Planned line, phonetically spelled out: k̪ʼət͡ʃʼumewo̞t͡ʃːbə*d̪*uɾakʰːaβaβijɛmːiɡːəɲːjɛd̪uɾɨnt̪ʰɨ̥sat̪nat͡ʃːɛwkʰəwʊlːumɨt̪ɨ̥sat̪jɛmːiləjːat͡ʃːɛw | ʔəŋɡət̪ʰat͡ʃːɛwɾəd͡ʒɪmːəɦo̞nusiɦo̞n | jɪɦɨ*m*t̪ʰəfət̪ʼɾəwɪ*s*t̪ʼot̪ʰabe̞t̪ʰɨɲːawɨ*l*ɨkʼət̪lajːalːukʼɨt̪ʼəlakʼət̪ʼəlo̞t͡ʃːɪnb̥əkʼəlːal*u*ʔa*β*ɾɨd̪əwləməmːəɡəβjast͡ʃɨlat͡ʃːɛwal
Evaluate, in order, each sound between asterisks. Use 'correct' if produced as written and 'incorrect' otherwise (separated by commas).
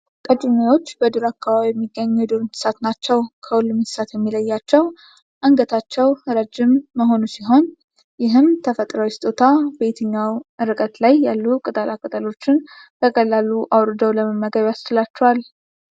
correct, correct, correct, incorrect, correct, incorrect